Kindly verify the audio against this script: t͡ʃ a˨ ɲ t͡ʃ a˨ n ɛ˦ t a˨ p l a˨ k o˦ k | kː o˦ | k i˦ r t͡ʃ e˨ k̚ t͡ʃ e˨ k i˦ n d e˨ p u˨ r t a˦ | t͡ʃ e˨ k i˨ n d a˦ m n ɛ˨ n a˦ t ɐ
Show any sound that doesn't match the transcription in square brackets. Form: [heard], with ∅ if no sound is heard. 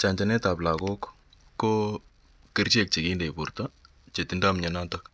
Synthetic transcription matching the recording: t͡ʃ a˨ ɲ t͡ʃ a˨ n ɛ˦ t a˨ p l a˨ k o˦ k | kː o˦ | k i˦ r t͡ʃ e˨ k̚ t͡ʃ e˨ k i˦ n d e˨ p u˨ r t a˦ | t͡ʃ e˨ [t] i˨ n d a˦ m [ɲ] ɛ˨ n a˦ t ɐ